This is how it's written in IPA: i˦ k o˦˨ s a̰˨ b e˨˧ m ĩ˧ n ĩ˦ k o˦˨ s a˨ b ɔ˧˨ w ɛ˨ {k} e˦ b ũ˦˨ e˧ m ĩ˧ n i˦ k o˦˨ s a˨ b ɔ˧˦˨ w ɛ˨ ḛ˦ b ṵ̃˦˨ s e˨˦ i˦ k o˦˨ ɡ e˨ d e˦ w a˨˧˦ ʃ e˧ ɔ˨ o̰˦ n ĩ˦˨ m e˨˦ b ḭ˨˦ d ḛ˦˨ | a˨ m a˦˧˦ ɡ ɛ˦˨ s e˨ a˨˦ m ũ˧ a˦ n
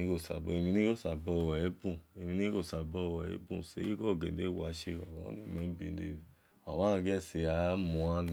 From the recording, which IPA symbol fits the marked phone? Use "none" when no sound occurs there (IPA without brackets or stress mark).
none